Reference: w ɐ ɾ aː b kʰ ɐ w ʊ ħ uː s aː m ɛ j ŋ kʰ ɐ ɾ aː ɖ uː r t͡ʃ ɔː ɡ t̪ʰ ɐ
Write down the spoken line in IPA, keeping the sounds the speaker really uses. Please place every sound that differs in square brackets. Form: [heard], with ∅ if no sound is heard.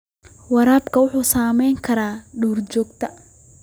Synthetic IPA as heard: w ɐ ɾ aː b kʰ ɐ w ʊ ħ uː s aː m ɛ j ŋ kʰ ɐ ɾ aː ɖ uː r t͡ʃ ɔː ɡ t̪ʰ ɐ